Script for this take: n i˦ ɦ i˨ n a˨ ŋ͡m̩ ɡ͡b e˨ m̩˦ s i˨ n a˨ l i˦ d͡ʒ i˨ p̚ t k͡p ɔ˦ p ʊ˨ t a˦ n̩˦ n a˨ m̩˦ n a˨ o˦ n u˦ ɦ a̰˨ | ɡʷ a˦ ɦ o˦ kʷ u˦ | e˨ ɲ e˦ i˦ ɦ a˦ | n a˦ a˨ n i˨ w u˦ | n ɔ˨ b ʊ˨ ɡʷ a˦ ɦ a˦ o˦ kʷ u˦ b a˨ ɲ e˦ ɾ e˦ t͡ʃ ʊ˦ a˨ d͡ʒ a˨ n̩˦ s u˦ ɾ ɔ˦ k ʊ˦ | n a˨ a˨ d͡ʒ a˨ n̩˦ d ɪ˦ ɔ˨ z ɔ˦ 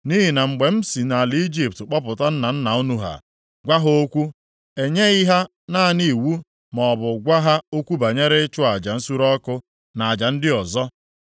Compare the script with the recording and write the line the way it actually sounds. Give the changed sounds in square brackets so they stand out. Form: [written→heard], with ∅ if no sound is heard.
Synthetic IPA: n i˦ ɦ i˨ n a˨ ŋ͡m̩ ɡ͡b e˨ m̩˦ s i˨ n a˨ l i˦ d͡ʒ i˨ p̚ t k͡p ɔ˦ p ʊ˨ t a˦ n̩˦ n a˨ [m̩˦→n̩˦] n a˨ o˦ n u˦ ɦ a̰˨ | ɡʷ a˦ ɦ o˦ kʷ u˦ | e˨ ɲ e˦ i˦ ɦ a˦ | n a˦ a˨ n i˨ w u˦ | [n→m] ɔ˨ b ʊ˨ ɡʷ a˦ ɦ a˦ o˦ kʷ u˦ b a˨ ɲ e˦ ɾ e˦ t͡ʃ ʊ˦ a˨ d͡ʒ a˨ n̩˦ s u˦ ɾ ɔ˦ k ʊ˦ | n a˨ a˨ d͡ʒ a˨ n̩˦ d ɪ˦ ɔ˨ z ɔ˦